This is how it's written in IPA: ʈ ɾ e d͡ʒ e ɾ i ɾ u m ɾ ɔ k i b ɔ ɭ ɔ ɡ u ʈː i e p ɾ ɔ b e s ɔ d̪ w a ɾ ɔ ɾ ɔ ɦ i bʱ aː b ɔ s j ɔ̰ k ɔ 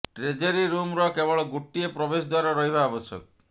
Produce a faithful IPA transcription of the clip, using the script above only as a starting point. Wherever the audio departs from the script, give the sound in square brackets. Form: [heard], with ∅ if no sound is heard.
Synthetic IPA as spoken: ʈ ɾ e d͡ʒ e ɾ i ɾ u m ɾ ɔ k [e] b ɔ ɭ ɔ ɡ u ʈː i e p ɾ ɔ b e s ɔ d̪ w a ɾ ɔ ɾ ɔ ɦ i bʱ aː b ɔ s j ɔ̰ k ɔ